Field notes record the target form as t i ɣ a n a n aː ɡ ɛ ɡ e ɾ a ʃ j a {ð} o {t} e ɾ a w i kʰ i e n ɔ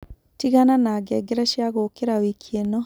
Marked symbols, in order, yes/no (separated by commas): no, no